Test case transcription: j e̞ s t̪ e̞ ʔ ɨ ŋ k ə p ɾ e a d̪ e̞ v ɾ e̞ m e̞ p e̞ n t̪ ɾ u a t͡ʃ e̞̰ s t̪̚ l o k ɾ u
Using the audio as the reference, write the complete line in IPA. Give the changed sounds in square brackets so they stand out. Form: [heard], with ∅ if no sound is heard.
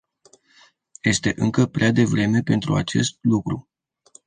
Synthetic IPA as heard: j e̞ s t̪ e̞ ʔ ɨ ŋ k ə p ɾ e a d̪ e̞ v ɾ e̞ m e̞ p e̞ n t̪ ɾ u a t͡ʃ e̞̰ s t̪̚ l [u] k ɾ u